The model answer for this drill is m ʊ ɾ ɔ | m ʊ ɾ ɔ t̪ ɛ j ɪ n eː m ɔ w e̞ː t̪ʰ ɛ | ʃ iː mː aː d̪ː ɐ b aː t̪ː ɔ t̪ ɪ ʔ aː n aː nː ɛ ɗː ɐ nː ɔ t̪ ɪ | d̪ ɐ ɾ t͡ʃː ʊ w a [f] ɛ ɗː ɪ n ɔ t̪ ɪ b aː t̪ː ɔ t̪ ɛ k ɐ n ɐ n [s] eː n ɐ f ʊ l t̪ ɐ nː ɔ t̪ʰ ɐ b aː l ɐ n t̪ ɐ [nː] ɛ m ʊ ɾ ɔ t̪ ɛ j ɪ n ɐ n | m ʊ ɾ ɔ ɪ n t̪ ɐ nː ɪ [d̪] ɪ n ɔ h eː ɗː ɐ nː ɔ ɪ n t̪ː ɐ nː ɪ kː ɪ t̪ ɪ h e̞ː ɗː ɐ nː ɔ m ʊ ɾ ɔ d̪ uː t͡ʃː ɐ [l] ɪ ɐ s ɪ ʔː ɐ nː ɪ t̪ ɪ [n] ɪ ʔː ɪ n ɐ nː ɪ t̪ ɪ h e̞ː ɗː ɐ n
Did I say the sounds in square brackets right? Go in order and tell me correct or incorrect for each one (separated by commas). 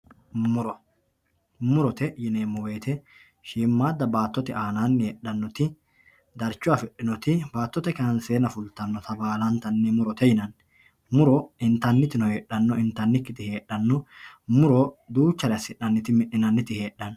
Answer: correct, correct, correct, incorrect, incorrect, incorrect